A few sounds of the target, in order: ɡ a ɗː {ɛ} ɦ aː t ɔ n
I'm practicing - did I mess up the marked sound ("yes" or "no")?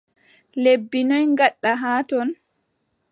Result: yes